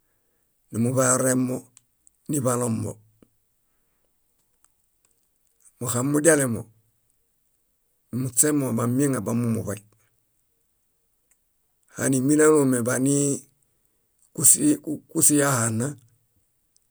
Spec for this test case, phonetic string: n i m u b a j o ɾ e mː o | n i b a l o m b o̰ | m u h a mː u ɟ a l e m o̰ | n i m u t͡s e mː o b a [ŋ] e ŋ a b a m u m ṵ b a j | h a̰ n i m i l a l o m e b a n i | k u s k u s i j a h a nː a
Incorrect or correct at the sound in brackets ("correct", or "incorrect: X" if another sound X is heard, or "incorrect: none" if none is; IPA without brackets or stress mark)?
incorrect: m